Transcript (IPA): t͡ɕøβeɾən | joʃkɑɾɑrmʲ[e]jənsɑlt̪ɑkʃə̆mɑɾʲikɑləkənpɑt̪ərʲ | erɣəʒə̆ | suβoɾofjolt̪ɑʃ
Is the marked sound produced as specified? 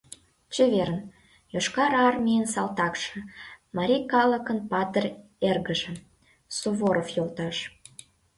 no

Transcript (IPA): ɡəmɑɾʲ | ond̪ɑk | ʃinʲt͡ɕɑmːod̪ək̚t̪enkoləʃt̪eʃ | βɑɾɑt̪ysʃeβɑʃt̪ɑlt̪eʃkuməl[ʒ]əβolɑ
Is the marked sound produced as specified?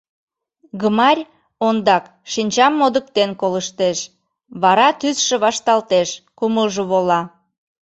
yes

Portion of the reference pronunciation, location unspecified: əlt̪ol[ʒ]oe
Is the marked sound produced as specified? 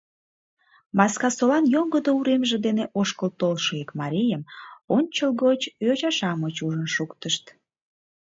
no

